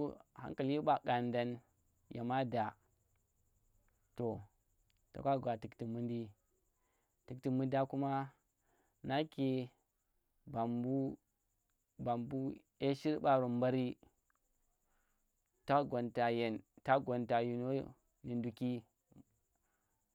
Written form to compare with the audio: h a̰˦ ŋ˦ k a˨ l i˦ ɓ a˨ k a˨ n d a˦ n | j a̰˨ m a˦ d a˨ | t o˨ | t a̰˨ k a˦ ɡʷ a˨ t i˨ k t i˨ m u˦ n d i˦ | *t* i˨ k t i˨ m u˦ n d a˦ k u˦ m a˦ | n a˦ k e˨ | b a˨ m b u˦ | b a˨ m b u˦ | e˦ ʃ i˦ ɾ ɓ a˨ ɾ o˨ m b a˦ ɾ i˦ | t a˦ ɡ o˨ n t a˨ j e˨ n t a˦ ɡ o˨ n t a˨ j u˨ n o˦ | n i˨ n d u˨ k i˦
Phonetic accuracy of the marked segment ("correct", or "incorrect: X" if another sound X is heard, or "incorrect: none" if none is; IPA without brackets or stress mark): correct